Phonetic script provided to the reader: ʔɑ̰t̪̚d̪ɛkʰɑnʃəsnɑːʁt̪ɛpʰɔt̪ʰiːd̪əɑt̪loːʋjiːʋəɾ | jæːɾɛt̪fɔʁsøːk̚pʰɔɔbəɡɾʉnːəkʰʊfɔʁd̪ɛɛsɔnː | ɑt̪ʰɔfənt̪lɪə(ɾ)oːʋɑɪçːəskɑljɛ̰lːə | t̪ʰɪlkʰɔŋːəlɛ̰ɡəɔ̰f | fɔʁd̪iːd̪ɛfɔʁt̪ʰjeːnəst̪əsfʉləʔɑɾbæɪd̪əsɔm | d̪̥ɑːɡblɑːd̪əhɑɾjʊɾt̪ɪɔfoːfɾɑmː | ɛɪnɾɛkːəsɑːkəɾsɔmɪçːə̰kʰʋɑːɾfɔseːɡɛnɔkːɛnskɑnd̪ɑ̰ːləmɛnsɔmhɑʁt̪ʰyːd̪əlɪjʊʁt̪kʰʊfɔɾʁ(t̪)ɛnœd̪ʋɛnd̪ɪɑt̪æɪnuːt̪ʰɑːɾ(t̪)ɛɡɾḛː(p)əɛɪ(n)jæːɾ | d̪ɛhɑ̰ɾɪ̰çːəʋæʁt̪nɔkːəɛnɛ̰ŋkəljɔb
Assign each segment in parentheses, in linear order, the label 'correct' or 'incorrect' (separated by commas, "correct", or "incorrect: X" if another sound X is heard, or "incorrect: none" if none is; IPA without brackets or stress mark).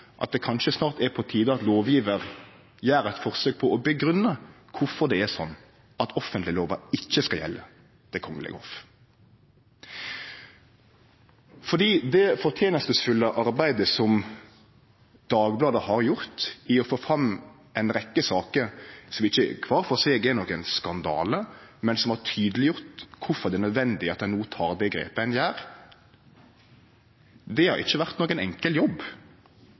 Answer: incorrect: l, incorrect: d̪, incorrect: d̪, correct, correct